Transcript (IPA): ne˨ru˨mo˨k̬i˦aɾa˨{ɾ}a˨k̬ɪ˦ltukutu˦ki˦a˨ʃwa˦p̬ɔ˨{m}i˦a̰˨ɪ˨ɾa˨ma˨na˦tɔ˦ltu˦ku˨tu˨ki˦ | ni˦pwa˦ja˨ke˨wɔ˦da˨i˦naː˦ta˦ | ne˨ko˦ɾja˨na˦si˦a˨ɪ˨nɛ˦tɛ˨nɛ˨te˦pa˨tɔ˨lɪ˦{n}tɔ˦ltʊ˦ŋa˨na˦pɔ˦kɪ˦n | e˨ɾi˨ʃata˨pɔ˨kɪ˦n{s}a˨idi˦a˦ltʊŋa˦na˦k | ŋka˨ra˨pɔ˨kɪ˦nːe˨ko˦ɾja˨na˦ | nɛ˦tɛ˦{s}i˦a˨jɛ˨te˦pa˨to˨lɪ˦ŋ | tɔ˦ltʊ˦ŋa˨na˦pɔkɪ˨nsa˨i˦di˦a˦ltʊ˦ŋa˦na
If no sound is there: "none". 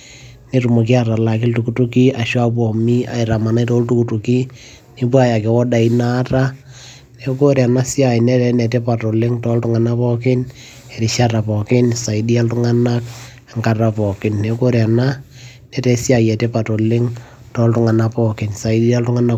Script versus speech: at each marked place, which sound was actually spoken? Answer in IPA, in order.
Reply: l, m, ŋ, s, s

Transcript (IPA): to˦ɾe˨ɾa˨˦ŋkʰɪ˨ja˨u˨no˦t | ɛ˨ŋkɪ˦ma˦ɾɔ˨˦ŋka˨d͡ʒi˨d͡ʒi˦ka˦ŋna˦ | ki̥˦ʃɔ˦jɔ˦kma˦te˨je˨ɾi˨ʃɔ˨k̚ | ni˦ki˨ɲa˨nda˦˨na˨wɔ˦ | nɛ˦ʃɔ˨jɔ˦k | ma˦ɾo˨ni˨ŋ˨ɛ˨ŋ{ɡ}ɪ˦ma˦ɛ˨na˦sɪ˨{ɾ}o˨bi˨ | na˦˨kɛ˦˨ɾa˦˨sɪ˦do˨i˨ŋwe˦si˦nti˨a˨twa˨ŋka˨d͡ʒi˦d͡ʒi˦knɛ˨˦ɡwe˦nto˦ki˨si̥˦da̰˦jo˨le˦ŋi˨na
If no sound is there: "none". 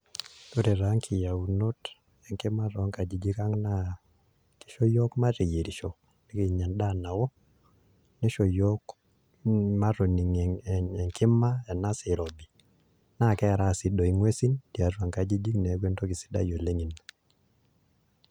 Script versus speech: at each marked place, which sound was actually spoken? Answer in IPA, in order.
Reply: k, ɾ

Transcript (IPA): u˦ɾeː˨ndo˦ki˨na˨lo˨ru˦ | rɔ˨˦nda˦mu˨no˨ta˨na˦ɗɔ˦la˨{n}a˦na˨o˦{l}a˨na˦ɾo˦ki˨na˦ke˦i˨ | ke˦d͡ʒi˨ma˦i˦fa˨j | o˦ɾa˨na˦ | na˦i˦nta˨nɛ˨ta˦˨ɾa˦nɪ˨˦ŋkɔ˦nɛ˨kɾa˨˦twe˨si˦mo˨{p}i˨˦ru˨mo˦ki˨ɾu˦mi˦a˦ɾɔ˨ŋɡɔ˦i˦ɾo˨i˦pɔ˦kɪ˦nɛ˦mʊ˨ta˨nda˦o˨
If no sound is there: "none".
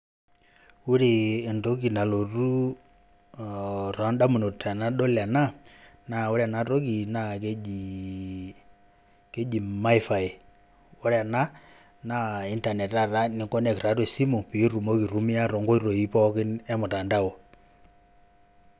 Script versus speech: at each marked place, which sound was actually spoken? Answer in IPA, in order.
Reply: n, ɾ, p

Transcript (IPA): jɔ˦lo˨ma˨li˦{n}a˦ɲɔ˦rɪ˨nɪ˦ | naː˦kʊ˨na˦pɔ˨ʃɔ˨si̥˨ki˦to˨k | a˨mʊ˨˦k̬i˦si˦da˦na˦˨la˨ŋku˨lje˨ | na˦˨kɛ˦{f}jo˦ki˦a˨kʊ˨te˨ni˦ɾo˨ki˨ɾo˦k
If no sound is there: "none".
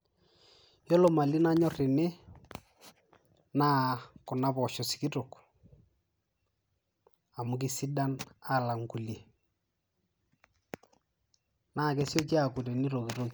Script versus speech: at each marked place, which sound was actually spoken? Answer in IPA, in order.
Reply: n, s

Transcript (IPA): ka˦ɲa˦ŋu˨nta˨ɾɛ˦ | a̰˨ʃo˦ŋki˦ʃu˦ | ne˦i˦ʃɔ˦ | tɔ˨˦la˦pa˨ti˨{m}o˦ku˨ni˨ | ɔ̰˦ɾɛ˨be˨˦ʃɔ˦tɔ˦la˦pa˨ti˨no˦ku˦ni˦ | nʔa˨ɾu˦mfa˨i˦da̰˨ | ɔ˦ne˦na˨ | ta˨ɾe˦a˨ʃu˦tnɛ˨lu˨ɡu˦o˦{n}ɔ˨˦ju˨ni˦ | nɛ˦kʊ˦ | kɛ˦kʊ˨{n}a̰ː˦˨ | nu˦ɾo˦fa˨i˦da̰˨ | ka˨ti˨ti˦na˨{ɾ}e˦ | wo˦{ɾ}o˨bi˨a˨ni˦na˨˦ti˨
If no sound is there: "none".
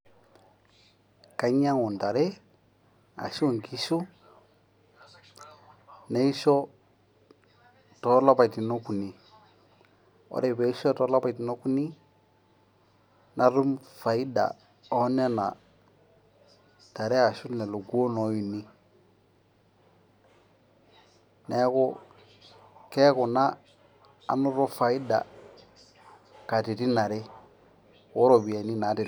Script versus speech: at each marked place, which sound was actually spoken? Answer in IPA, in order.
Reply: n, n, n, ɾ, ɾ

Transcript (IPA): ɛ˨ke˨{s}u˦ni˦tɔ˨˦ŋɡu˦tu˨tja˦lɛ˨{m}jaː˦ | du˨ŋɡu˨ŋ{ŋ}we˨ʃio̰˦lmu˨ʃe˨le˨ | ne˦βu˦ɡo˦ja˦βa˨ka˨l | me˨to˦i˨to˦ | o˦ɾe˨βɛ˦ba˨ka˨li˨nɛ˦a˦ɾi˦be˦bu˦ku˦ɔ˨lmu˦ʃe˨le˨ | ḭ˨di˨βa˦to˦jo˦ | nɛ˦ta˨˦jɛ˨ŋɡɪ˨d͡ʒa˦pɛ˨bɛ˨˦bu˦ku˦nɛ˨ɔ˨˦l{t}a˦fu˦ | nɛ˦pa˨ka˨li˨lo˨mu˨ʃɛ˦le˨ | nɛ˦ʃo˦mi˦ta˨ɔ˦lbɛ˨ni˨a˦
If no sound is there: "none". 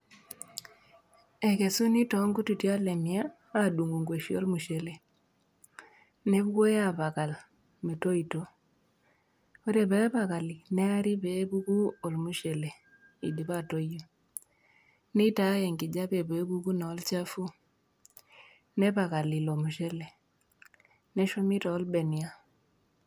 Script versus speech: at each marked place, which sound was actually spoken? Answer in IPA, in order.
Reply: s, m, ɡ, t͡ʃ

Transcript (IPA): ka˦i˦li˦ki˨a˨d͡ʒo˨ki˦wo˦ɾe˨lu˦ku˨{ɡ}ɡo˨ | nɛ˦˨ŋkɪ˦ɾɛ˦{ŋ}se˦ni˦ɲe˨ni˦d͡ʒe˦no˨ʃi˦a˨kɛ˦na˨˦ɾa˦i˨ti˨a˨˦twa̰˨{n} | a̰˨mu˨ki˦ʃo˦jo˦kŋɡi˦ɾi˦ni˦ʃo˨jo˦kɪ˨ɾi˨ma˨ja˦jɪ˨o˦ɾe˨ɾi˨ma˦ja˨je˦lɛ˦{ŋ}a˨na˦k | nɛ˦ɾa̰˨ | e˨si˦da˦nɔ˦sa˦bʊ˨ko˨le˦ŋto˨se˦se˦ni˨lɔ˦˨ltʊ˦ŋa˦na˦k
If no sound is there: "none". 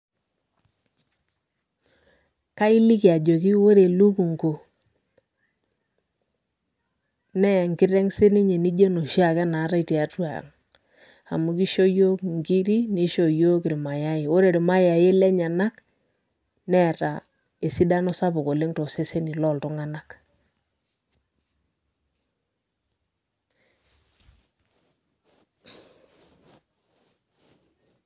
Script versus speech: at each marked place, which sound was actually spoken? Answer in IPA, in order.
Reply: ŋ, ŋ, ŋ, ɲ

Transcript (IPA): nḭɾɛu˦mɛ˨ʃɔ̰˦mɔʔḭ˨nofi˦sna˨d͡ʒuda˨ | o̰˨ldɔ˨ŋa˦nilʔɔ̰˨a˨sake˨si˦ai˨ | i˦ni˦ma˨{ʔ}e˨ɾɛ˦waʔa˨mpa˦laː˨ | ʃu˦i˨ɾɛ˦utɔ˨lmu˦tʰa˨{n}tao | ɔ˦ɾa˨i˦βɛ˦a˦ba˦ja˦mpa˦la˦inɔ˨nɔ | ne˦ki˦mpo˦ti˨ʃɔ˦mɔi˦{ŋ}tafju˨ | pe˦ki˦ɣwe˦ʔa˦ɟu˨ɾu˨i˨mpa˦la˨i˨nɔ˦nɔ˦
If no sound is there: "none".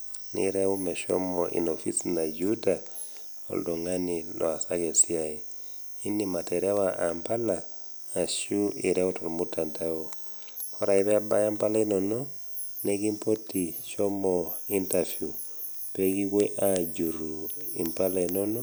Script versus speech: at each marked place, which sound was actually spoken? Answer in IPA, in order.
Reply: t, n, n

